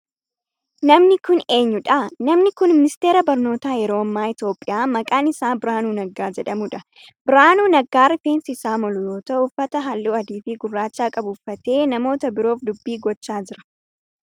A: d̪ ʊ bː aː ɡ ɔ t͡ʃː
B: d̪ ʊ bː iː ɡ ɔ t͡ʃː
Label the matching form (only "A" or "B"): B